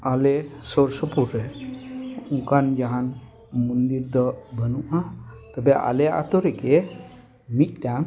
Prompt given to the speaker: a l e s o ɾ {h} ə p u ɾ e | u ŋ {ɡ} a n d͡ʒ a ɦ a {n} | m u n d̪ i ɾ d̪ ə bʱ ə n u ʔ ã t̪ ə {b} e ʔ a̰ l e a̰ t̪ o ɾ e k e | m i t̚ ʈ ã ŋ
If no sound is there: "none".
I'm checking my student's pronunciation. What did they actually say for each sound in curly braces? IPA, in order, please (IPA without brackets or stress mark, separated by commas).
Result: s, k, n, b